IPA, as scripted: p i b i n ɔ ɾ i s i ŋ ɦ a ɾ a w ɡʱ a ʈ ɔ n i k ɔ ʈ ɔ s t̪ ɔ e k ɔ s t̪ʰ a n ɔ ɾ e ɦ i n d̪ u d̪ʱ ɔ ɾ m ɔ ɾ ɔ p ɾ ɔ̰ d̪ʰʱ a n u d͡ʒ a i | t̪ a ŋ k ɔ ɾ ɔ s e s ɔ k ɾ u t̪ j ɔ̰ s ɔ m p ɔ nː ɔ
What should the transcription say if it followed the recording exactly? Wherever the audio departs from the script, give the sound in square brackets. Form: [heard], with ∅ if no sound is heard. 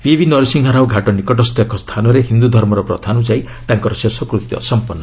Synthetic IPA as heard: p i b i n ɔ ɾ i s i ŋ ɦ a ɾ a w ɡʱ a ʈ ɔ n i k ɔ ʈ ɔ s t̪ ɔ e k ɔ s t̪ʰ a n ɔ ɾ e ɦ i n d̪ u d̪ʱ ɔ ɾ m ɔ ɾ ɔ p ɾ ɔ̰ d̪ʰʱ a n u d͡ʒ a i | t̪ a ŋ k ɔ ɾ ɔ s e s ɔ k ɾ u t̪ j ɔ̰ s ɔ m p ɔ nː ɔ